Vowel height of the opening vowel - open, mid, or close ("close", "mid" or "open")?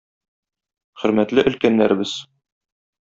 mid